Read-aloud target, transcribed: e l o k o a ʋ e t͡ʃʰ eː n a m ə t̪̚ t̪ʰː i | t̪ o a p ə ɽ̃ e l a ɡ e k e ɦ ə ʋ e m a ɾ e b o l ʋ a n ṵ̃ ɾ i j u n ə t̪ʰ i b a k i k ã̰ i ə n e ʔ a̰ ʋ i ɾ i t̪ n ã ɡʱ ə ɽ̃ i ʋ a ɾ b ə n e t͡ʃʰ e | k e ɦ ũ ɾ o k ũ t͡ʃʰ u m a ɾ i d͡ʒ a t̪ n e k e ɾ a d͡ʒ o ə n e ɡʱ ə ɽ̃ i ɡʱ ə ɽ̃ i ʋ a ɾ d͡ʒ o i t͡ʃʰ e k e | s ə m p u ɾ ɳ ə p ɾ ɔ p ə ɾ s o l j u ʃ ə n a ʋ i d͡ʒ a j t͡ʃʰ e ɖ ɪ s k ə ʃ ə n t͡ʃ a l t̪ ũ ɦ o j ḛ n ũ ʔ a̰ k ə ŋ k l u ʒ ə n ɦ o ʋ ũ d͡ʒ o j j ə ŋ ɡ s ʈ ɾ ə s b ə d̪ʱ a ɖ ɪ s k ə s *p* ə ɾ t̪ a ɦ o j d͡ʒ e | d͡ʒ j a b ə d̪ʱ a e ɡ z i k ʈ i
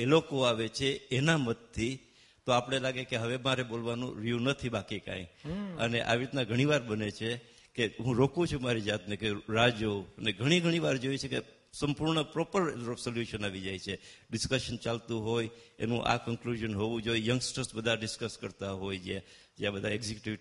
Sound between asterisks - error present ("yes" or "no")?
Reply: yes